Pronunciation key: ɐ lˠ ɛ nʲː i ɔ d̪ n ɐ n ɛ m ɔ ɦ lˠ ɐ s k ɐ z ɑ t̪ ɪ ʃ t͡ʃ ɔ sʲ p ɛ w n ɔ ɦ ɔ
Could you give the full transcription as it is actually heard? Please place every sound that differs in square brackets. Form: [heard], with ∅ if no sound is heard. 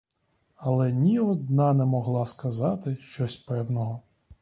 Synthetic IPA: ɐ lˠ ɛ [nʲ] i ɔ d̪ n [ɑ] n ɛ m ɔ ɦ lˠ [ɑ] s k ɐ z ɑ t̪ ɪ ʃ t͡ʃ ɔ sʲ p ɛ w n ɔ ɦ ɔ